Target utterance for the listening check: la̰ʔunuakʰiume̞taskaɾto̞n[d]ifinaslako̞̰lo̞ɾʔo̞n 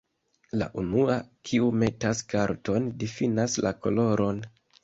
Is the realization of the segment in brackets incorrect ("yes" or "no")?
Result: no